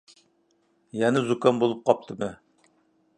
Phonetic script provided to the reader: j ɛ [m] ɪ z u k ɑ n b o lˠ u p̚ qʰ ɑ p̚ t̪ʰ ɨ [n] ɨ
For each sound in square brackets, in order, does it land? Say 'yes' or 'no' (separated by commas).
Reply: no, no